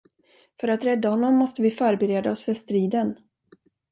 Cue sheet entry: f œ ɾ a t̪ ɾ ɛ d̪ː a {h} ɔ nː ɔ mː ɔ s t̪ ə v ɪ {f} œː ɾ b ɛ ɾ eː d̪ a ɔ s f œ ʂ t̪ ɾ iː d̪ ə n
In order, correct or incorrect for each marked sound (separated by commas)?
correct, correct